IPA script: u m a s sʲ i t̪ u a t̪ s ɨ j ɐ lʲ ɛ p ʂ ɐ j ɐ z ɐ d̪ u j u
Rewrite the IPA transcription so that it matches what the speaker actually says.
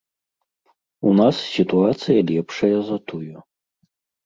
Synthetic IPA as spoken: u n a s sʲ i t̪ u a t̪ s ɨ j ɐ lʲ ɛ p ʂ ɐ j ɐ z ɐ t̪ u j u